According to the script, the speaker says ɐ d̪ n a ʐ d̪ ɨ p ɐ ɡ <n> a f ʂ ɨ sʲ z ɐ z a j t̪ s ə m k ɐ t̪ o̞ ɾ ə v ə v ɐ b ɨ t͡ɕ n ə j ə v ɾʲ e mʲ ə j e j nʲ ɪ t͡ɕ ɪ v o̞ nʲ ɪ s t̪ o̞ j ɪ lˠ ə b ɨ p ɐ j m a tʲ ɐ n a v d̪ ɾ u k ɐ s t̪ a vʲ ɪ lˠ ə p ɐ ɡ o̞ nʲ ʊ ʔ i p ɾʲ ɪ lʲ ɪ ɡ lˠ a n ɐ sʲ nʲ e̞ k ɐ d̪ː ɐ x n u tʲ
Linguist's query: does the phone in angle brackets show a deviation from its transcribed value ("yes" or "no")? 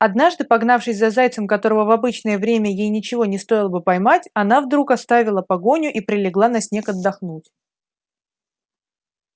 no